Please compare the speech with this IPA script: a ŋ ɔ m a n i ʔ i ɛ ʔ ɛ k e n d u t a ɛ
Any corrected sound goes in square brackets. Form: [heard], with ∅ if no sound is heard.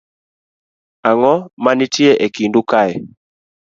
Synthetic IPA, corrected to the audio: a ŋ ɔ m a n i [t] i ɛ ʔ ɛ k [i] n d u [k] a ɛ